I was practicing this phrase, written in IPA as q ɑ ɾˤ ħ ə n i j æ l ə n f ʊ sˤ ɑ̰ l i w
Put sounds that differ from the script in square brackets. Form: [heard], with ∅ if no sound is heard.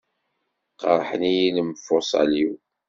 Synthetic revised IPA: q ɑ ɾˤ ħ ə n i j [i] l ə [m] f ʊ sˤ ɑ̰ l i w